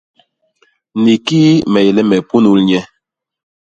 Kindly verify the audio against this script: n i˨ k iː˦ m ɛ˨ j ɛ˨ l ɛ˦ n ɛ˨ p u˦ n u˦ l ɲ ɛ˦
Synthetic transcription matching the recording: n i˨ k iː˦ m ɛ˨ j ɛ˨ l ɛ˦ m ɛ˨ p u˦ n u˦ l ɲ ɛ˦